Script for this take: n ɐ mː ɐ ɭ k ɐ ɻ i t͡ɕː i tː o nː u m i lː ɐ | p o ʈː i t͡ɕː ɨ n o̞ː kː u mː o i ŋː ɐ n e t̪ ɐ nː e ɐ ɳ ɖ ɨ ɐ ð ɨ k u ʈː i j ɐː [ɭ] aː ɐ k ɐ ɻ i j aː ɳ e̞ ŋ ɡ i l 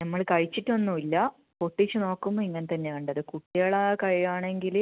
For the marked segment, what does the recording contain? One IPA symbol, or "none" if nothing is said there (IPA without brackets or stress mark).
ɭ